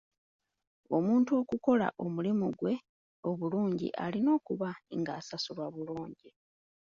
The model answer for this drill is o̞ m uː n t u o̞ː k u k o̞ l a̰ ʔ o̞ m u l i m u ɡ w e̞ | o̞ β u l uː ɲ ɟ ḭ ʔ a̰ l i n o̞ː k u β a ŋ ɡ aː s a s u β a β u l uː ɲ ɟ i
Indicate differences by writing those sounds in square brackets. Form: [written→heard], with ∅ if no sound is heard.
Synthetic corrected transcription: o̞ m uː n t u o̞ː k u k o̞ l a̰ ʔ o̞ m u l i m u ɡ w e̞ | o̞ β u l uː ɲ ɟ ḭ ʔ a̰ l i n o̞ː k u β a ŋ ɡ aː s a s u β a β u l uː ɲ ɟ i

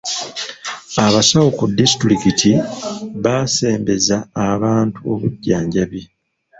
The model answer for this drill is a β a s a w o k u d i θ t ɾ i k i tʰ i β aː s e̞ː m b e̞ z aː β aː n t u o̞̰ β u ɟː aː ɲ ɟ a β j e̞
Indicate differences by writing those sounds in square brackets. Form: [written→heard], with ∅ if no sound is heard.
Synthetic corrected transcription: a β a s a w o k u d i [θ→s] t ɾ i k i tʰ i β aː s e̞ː m b e̞ z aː β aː n t u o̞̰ β u ɟː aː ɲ ɟ a β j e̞

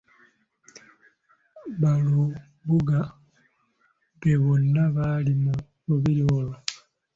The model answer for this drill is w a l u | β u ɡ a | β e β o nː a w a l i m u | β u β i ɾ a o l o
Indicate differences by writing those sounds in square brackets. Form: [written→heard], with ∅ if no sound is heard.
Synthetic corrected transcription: [w→β] a l u | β u ɡ a | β e β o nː a [w→β] a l i m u | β u β i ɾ [a→i] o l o

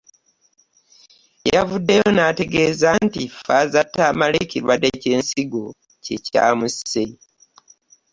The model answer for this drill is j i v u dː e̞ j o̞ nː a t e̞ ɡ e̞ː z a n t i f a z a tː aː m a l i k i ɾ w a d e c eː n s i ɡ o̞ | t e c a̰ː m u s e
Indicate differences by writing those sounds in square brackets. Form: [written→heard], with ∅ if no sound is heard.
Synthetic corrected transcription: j [i→a] v u dː e̞ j o̞ [nː→n] a t e̞ ɡ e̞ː z a n t i f a z a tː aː m a l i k i ɾ w a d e c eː n s i ɡ o̞ | [t→c] e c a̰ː m u s e

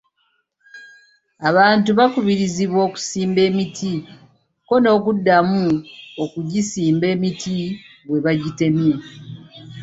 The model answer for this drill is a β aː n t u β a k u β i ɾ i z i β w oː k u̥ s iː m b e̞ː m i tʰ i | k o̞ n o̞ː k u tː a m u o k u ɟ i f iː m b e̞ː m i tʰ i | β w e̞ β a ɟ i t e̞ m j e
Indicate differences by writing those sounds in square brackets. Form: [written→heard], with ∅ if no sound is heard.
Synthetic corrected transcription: a β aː n t u β a k u β i ɾ i z i β w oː k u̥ s iː m b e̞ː m i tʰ i | k o̞ n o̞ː k u [tː→dː] a m u o k u ɟ i [f→s] iː m b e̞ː m i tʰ i | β w e̞ β a ɟ i t e̞ m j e

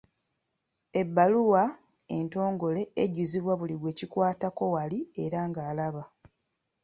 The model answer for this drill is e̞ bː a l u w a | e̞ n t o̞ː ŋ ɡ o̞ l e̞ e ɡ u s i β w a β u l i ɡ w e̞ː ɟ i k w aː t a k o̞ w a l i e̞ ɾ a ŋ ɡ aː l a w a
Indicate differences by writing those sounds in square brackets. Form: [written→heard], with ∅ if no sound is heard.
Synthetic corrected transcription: e̞ bː a l u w a | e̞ n t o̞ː ŋ ɡ o̞ l e̞ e [ɡ→ɟ] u [s→z] i β w a β u l i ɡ w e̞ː [ɟ→c] i k w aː t a k o̞ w a l i e̞ ɾ a ŋ ɡ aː l a [w→β] a

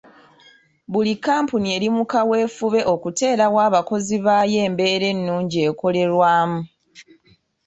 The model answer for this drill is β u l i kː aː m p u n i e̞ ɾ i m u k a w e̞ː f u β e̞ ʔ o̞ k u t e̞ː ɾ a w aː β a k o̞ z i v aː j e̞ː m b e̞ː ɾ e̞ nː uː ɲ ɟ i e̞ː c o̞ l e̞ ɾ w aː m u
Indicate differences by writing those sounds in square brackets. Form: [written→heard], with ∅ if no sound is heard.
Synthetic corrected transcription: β u l i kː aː m p u n i e̞ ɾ i m u k a w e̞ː f u β e̞ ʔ o̞ k u t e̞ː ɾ a w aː β a k o̞ z i [v→β] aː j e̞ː m b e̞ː ɾ e̞ nː uː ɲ ɟ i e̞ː [c→k] o̞ l e̞ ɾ w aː m u

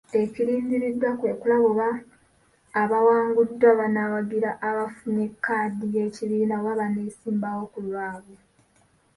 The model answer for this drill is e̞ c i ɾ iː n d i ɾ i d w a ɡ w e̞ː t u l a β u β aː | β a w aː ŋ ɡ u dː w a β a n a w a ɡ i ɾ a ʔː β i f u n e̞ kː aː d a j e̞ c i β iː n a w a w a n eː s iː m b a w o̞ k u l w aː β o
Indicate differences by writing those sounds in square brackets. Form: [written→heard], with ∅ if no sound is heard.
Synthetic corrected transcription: e̞ c i ɾ iː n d i ɾ i d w a [ɡ→k] w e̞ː [t→k] u l a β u β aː | β a w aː ŋ ɡ u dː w a β a n a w a ɡ i ɾ a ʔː β [i→a] f u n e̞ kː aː d [a→i] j e̞ c i β iː n a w a [w→β] a n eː s iː m b a w o̞ k u l w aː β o

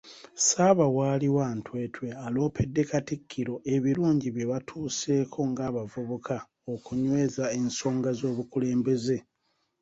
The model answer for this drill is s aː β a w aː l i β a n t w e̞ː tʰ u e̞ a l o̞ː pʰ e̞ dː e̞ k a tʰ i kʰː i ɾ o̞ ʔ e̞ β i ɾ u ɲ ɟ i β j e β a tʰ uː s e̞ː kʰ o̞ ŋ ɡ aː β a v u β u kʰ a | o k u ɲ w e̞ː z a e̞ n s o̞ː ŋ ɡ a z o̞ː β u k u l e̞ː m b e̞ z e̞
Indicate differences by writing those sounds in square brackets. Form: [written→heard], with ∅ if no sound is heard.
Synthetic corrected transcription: s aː β a w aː l i [β→w] a n t w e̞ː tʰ [u→w] e̞ a l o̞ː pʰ e̞ dː e̞ k a [tʰ→t] i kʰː i ɾ o̞ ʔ e̞ β i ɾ [u→uː] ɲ ɟ i β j e β a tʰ uː s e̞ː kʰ o̞ ŋ ɡ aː β a v u β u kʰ a | o k u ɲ w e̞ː z a e̞ n s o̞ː ŋ ɡ a z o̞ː β u k u l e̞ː m b e̞ z e̞

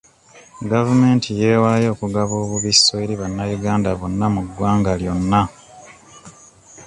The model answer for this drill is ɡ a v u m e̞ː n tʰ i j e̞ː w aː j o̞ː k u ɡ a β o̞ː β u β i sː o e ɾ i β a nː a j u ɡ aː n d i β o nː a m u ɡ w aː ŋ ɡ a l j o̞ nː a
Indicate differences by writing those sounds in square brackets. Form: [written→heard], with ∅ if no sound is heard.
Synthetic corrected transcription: ɡ a v u m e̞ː n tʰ i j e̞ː w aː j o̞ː k u ɡ a β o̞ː β u β i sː o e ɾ i β a nː a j u ɡ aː n d [i→a] β o nː a m u ɡ w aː ŋ ɡ a l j o̞ nː a

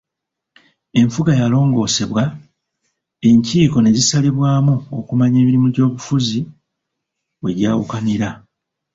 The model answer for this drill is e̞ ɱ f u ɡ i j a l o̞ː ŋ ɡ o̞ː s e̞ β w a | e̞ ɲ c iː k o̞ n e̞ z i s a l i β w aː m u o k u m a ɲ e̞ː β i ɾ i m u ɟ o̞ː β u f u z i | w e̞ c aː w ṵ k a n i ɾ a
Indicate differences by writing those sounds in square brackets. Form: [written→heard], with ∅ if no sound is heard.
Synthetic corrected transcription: e̞ ɱ f u ɡ [i→a] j a l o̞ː ŋ ɡ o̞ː s e̞ β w a | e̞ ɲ c iː k o̞ n e̞ z i s a l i β w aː m u o k u m a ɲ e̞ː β i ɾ i m u ɟ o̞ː β u f u z i | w e̞ [c→ɟ] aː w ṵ k a n i ɾ a

